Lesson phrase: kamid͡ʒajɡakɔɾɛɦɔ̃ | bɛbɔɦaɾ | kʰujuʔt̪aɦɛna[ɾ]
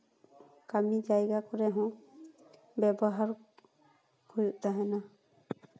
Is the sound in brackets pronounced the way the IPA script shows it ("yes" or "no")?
no